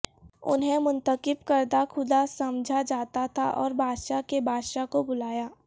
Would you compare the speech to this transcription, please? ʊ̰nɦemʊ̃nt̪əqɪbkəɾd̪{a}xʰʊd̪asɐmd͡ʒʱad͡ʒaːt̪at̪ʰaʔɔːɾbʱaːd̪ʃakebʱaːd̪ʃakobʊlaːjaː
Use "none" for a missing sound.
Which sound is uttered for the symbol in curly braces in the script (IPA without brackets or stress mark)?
a